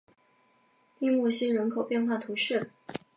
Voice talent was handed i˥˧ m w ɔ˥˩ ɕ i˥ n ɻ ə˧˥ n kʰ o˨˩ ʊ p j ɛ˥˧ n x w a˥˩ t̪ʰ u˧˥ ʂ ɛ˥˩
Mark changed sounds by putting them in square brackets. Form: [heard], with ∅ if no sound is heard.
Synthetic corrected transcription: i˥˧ m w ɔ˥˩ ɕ i˥ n ɻ ə˧˥ n kʰ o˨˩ ʊ p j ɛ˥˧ n x w a˥˩ t̪ʰ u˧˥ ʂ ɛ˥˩